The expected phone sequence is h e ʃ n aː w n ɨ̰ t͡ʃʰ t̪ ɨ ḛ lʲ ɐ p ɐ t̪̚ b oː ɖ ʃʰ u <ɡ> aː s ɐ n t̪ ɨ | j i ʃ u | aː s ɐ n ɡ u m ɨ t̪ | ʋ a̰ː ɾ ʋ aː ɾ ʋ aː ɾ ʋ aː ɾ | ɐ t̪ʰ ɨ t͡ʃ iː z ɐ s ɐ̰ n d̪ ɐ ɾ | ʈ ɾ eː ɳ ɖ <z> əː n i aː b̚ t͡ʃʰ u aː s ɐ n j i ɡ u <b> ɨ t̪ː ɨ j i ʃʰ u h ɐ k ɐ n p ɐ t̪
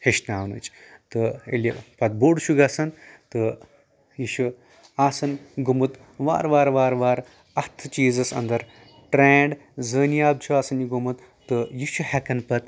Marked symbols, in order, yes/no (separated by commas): yes, yes, no